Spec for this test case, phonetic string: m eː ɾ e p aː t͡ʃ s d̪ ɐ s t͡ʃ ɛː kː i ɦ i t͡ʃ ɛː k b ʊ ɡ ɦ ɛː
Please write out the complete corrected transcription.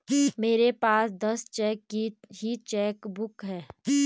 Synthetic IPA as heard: m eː ɾ e p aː s d̪ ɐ s t͡ʃ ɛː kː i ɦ i t͡ʃ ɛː k b ʊ k ɦ ɛː